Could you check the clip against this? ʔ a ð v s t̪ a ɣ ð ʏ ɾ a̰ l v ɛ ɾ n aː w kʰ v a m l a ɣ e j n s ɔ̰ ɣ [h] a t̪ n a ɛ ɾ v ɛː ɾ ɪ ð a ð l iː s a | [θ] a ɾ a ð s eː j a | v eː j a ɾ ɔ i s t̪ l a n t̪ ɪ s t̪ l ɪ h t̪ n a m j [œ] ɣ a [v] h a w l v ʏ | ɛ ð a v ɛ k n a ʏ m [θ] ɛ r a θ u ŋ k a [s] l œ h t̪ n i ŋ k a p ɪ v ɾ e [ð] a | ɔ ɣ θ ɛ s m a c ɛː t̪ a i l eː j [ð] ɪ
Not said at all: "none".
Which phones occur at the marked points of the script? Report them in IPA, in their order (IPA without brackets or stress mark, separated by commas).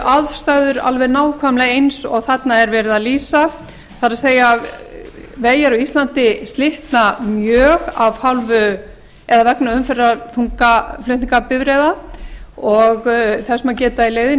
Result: θ, θ, œː, v, f, f, ð, ð